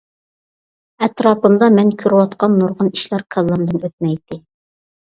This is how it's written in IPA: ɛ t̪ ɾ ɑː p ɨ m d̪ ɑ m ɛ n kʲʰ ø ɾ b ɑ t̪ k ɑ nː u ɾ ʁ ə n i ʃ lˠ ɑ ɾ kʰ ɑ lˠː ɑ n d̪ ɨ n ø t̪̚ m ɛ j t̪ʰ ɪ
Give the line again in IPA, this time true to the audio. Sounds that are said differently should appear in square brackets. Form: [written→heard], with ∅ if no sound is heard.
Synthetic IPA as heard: ɛ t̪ ɾ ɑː p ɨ m d̪ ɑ m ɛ n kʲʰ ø ɾ [b→w] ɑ t̪ [k→q] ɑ nː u ɾ ʁ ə n i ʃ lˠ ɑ ɾ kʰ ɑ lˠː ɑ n d̪ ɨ n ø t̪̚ m ɛ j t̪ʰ ɪ